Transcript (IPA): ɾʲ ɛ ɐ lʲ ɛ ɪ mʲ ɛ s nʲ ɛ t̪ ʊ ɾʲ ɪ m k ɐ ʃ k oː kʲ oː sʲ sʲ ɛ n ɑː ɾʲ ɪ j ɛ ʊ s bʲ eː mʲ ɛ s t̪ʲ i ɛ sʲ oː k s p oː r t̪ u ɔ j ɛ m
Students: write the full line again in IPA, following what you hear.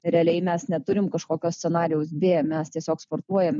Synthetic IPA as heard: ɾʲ ɛ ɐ lʲ ɛ ɪ mʲ ɛ s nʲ ɛ t̪ ʊ ɾʲ ɪ m k ɐ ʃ k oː kʲ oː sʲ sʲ ɛ n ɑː ɾʲ ɪ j ɛ ʊ s bʲ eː mʲ ɛ s t̪ʲ i ɛ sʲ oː k s p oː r t̪ u ɔ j ɛ m